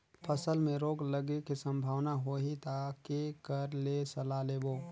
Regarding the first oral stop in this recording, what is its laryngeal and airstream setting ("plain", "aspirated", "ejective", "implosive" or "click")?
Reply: aspirated